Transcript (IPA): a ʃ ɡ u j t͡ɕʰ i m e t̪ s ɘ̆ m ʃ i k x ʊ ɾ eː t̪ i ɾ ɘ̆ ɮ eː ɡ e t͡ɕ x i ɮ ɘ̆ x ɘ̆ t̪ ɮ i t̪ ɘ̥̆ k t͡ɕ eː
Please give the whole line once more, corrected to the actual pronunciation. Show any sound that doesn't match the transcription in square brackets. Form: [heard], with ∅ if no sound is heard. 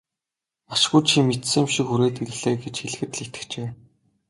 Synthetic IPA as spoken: a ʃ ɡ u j t͡ɕʰ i m e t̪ s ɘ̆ m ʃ i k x [u] ɾ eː t̪ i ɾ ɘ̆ ɮ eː ɡ e t͡ɕ x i ɮ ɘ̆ x ɘ̆ t̪ ɮ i t̪ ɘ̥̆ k t͡ɕ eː